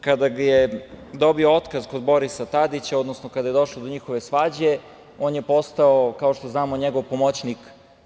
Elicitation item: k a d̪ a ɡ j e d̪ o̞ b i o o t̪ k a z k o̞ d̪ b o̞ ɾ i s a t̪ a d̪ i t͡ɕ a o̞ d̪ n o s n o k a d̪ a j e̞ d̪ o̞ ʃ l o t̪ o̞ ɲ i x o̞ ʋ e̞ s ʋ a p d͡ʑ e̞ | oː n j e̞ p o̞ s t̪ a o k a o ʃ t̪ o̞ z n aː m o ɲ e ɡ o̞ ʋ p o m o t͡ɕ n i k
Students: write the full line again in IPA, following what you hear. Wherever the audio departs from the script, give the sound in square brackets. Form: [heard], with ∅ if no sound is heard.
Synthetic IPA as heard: k a d̪ a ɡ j e d̪ o̞ b i o o t̪ k a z k o̞ d̪ b o̞ ɾ i s a t̪ a d̪ i t͡ɕ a o̞ d̪ n o s n o k a d̪ a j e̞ d̪ o̞ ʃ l o [d̪] o̞ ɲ i x o̞ ʋ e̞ s ʋ a [∅] d͡ʑ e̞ | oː n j e̞ p o̞ s t̪ a o k a o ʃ t̪ o̞ z n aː m o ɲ e ɡ o̞ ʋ p o m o t͡ɕ n i k